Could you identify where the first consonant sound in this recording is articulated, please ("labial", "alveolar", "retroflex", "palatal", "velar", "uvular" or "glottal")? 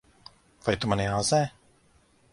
labial